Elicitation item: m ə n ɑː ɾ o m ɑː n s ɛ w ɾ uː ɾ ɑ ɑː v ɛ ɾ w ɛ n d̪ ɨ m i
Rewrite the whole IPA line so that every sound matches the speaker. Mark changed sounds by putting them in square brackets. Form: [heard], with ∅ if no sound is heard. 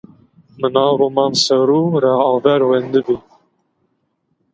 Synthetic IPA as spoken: m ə n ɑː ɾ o m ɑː n s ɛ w ɾ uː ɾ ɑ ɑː v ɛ ɾ w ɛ n d̪ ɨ [b] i